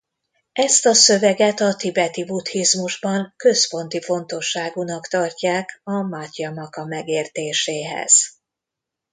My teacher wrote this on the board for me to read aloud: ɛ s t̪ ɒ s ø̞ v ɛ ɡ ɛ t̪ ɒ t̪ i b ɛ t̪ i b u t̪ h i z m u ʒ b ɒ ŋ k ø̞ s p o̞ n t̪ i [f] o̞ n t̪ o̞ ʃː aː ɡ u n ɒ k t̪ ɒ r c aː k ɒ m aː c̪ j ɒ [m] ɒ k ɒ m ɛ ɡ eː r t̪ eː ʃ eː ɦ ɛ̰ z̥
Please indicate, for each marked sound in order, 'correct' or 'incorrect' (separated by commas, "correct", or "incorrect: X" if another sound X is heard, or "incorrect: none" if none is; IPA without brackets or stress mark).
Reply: correct, correct